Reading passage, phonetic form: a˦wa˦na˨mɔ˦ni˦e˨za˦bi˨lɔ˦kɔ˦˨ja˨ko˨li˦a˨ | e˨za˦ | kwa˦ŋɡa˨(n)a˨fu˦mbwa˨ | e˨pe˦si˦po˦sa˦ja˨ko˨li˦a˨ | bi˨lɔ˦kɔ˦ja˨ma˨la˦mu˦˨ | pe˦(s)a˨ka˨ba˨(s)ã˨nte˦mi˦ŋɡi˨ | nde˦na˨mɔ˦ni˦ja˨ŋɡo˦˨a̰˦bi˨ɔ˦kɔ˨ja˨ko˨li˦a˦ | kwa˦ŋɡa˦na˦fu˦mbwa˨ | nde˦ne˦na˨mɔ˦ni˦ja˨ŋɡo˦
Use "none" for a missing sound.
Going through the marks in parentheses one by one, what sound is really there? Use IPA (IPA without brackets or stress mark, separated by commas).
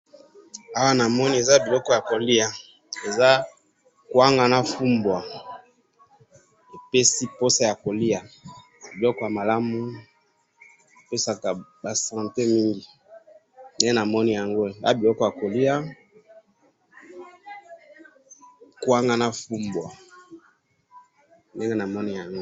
n, s, s